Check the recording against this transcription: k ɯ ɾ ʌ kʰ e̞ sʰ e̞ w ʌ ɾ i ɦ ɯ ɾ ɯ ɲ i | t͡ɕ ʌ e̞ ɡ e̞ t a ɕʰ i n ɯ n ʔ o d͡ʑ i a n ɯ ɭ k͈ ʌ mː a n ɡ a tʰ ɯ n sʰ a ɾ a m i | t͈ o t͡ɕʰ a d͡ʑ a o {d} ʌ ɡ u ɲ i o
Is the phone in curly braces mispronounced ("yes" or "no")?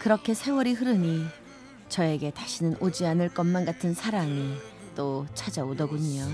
no